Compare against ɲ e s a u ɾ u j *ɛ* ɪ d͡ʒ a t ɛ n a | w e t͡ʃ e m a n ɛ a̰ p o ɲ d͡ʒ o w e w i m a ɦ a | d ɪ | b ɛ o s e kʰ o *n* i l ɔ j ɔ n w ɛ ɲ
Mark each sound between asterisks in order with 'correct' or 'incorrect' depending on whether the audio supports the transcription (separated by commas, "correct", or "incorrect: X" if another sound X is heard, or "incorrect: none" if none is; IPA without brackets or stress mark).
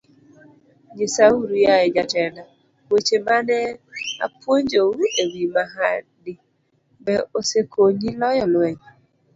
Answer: incorrect: a, incorrect: ɲ